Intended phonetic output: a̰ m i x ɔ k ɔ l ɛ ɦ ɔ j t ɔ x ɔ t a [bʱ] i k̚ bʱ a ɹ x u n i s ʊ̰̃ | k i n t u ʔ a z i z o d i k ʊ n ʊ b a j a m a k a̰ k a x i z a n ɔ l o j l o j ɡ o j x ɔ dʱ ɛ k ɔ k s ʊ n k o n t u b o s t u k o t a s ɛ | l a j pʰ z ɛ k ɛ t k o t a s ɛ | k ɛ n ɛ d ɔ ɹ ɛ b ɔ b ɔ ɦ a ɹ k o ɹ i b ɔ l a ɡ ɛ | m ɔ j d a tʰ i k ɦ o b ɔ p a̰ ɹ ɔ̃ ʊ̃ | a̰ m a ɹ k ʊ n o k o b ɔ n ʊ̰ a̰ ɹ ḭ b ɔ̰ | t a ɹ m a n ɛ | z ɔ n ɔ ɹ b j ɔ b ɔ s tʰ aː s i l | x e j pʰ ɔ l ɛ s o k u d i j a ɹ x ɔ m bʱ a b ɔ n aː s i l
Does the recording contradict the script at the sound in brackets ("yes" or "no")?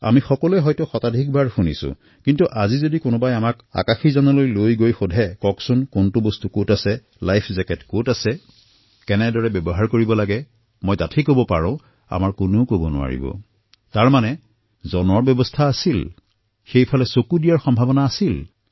yes